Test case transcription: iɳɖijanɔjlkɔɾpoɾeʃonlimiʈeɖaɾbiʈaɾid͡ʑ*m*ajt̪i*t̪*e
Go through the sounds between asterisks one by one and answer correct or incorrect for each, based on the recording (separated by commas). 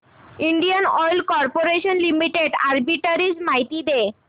correct, incorrect